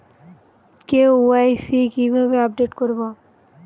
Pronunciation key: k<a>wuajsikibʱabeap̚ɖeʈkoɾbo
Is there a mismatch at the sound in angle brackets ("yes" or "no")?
yes